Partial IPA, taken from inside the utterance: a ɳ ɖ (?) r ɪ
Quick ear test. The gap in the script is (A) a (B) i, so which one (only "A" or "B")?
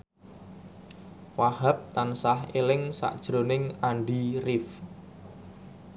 B